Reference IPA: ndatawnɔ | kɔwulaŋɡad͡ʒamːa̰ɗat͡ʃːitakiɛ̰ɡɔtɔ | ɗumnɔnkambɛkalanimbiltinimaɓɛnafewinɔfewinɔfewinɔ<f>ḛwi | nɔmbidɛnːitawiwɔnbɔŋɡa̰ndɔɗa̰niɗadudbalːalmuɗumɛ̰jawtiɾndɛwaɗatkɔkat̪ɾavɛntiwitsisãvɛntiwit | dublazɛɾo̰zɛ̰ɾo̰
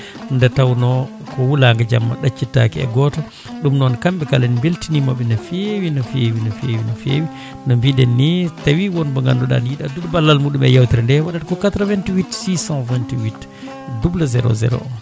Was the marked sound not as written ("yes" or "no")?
no